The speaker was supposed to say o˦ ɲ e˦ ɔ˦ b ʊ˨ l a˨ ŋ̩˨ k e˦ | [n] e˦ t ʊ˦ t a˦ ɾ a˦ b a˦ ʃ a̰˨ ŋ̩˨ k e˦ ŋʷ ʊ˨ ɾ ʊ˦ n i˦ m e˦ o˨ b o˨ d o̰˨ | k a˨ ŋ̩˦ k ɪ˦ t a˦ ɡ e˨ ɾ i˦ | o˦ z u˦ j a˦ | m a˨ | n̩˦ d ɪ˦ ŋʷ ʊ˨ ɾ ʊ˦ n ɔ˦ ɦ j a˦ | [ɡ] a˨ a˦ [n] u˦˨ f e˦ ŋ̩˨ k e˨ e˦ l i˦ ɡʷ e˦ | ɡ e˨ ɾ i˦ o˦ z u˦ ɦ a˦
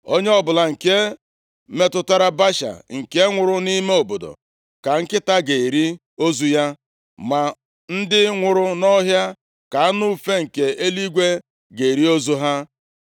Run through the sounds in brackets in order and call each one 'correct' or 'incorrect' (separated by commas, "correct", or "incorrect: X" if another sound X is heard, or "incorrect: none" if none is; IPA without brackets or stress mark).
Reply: incorrect: m, incorrect: k, correct